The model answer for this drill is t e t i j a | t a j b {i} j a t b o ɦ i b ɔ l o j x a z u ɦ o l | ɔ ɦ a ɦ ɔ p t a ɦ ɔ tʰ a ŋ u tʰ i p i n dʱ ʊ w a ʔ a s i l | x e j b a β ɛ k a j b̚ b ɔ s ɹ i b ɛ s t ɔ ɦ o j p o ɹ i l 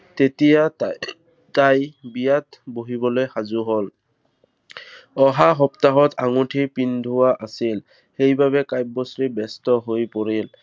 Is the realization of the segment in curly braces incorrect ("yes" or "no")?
no